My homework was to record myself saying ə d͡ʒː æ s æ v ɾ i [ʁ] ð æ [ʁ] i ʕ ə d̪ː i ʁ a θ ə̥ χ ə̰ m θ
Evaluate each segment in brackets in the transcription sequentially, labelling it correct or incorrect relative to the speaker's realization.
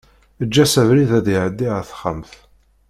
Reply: incorrect, incorrect

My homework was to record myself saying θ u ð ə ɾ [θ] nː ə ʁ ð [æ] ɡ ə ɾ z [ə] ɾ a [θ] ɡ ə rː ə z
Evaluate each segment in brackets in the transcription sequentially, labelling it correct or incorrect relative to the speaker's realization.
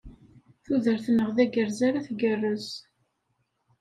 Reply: correct, correct, incorrect, correct

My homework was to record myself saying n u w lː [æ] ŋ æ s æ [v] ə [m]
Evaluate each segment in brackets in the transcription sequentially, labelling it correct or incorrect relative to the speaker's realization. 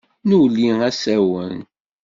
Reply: incorrect, incorrect, incorrect

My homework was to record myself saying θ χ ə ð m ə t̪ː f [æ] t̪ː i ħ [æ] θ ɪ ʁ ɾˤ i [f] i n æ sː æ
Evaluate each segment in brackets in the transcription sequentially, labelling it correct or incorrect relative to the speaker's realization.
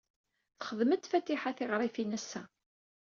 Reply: correct, incorrect, correct

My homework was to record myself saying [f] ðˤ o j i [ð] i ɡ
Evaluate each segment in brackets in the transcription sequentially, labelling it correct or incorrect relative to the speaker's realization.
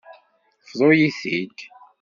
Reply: correct, incorrect

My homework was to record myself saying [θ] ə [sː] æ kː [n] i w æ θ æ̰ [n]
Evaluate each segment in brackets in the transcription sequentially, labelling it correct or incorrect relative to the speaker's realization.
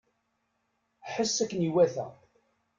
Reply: incorrect, correct, correct, incorrect

